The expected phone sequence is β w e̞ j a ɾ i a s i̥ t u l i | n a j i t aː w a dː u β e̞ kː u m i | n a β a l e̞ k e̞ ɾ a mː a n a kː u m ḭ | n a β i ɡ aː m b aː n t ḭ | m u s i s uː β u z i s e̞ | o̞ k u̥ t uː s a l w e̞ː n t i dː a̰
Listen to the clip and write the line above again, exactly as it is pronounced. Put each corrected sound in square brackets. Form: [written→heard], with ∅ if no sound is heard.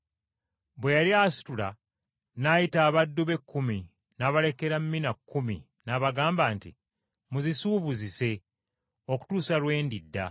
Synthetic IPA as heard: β w e̞ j a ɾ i a s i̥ t u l [i→a] | n a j i t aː [w→β] a dː u β e̞ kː u m i | n a β a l e̞ k e̞ ɾ a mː [a→i] n a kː u m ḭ | n a β [i→a] ɡ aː m b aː n t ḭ | m u [s→z] i s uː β u z i s e̞ | o̞ k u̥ t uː s a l w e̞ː n [t→d] i dː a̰